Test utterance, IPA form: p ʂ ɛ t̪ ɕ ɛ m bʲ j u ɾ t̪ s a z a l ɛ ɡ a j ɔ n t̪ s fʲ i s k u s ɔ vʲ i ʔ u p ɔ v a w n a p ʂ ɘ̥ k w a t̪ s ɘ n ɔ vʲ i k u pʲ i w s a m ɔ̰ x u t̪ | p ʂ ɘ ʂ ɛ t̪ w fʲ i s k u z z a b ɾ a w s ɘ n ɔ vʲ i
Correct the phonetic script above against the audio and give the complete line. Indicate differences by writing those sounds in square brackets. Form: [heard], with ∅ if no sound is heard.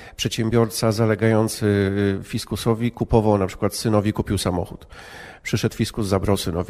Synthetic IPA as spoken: p ʂ ɛ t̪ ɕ ɛ m bʲ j [ɔ] ɾ t̪ s a z a l ɛ ɡ a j ɔ n t̪ s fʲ i s k u s ɔ vʲ i [k] u p ɔ v a w n a p ʂ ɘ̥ k w a t̪ s ɘ n ɔ vʲ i k u pʲ i w s a m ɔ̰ x u t̪ | p ʂ ɘ ʂ ɛ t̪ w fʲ i s k u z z a b ɾ a w s ɘ n ɔ vʲ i